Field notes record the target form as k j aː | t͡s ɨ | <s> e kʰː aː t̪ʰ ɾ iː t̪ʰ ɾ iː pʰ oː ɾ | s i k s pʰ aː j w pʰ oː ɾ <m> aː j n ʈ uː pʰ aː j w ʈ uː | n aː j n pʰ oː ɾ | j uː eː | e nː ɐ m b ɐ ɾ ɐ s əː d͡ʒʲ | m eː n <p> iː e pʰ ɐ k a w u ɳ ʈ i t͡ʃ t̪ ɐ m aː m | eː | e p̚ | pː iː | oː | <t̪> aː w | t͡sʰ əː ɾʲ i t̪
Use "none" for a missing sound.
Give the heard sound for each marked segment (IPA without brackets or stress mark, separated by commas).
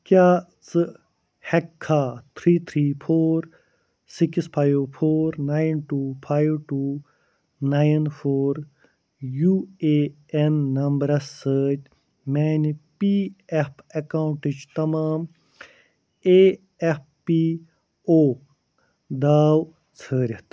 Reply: h, n, p, d̪